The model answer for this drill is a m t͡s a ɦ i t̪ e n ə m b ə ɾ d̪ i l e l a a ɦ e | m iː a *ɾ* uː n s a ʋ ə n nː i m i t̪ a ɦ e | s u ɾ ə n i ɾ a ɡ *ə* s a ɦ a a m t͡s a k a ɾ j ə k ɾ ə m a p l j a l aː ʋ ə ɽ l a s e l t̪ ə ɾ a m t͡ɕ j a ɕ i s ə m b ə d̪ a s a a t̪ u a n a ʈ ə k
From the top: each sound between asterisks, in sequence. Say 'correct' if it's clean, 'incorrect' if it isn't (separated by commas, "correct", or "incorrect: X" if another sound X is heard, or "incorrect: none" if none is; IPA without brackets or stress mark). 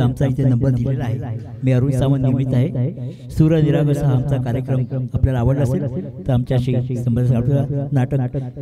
correct, correct